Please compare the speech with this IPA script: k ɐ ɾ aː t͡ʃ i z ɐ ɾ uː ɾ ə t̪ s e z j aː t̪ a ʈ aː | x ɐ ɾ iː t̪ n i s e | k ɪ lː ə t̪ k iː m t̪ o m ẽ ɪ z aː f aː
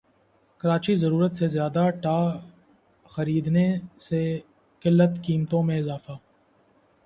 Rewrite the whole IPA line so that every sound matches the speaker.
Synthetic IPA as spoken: k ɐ ɾ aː t͡ʃ i z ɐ ɾ uː ɾ ə t̪ s e z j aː d̪ a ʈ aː | x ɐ ɾ iː d̪ n e s e | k ɪ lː ə t̪ k iː m t̪ õ m ẽ ɪ z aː f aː

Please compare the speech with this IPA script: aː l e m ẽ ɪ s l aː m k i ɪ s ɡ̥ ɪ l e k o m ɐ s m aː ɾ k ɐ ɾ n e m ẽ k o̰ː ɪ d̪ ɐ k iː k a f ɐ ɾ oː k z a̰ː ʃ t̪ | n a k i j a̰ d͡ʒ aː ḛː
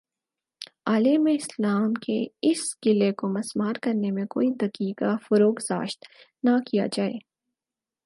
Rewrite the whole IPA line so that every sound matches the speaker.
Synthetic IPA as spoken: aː l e m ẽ ɪ s l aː m k e ɪ s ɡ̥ ɪ l e k o m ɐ s m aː ɾ k ɐ ɾ n e m ẽ k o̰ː i d̪ ɐ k iː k a f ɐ ɾ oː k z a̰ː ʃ t̪ | n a k i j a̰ d͡ʒ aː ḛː

